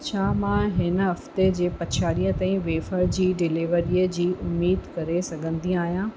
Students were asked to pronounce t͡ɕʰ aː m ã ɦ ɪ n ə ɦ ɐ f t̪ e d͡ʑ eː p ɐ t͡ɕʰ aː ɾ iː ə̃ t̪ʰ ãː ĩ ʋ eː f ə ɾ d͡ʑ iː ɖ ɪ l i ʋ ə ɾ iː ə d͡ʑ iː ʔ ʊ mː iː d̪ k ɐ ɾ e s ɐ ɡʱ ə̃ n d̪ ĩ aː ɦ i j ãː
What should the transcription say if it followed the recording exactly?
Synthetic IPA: t͡ɕʰ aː m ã ɦ ɪ n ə ɦ ɐ f t̪ e d͡ʑ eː p ɐ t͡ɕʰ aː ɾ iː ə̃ t̪ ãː ĩ ʋ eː f ə ɾ d͡ʑ iː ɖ ɪ l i ʋ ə ɾ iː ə d͡ʑ iː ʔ ʊ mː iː d̪ k ɐ ɾ e s ɐ ɡʱ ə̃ n d̪ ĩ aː ɦ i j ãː

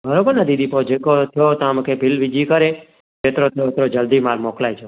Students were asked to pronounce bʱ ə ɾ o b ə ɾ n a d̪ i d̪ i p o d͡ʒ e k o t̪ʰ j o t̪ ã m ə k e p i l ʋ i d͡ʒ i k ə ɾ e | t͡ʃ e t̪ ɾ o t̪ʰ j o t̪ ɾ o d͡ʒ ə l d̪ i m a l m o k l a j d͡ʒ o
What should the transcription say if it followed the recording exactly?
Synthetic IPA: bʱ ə ɾ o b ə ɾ n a d̪ i d̪ i p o d͡ʒ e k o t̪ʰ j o t̪ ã m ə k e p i l ʋ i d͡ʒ i k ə ɾ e | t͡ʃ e t̪ ɾ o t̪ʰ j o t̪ ɾ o d͡ʒ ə l d̪ i m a l m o k l a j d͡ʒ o

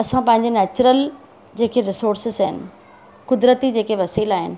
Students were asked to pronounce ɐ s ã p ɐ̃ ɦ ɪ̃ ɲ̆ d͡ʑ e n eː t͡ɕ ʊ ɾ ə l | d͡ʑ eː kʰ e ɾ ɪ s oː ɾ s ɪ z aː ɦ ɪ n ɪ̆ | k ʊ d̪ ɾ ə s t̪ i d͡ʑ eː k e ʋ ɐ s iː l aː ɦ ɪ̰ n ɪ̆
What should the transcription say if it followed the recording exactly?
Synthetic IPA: ɐ s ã p ɐ̃ ɦ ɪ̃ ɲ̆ d͡ʑ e n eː t͡ɕ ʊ ɾ ə l | d͡ʑ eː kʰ e ɾ ɪ s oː ɾ s ɪ z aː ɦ ɪ n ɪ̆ | k ʊ d̪ ɾ ə t̪ i d͡ʑ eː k e ʋ ɐ s iː l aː ɦ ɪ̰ n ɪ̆

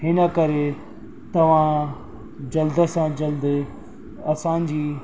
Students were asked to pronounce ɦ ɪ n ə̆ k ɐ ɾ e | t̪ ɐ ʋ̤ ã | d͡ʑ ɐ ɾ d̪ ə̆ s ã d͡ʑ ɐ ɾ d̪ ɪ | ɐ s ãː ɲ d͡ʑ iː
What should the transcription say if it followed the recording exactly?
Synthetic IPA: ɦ ɪ n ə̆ k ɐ ɾ e | t̪ ɐ ʋ̤ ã | d͡ʑ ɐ l d̪ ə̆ s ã d͡ʑ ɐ l d̪ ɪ | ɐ s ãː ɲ d͡ʑ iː

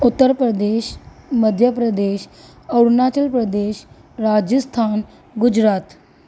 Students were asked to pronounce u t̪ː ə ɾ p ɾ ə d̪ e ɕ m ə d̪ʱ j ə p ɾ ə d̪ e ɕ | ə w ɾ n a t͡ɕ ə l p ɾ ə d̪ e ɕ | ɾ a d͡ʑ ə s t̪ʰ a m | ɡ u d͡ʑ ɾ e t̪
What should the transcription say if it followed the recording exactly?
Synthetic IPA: u t̪ː ə ɾ p ɾ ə d̪ e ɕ m ə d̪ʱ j ə p ɾ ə d̪ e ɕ | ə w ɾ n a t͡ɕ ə l p ɾ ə d̪ e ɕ | ɾ a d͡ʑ ə s t̪ʰ a n | ɡ u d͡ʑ ɾ a t̪

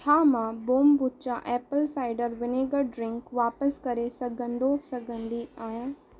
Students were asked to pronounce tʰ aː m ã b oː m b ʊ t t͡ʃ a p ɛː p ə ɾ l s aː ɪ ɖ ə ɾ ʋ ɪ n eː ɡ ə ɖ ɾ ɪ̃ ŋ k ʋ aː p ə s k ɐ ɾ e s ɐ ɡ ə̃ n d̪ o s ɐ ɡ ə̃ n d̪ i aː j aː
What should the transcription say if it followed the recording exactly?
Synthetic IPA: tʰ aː m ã b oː m b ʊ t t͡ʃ a ʔ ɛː p ə l s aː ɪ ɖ ə ɾ ʋ ɪ n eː ɡ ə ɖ ɾ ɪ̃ ŋ k ʋ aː p ə s k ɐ ɾ e s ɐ ɡ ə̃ n d̪ o s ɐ ɡ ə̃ n d̪ i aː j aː

